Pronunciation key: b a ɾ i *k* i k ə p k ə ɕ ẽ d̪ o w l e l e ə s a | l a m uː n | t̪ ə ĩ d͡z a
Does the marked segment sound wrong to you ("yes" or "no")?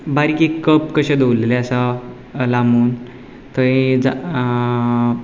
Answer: no